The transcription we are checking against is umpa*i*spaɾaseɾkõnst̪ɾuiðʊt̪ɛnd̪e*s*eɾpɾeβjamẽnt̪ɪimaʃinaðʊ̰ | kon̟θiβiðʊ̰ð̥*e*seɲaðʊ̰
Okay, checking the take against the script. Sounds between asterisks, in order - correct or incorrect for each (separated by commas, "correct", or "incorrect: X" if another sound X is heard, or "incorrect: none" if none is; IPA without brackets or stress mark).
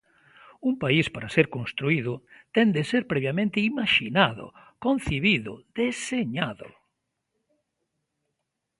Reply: correct, correct, correct